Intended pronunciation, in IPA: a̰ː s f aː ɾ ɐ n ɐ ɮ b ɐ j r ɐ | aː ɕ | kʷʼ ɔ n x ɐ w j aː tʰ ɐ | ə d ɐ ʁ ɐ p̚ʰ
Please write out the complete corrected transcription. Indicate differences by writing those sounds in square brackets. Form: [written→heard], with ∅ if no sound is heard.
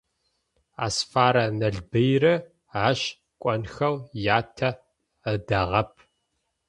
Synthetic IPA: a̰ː s f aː ɾ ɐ n ɐ ɮ b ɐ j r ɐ | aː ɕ | kʷʼ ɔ n x ɐ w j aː tʰ ɐ | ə d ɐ ʁ ɐ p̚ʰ